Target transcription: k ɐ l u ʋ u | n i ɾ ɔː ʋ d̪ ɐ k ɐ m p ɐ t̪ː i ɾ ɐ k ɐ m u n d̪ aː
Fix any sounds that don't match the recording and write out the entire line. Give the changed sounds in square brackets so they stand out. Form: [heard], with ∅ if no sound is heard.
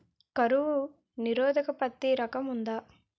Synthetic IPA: k ɐ [ɾ] u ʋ u | n i ɾ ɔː [∅] d̪ ɐ k ɐ [∅] p ɐ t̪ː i ɾ ɐ k ɐ m u n d̪ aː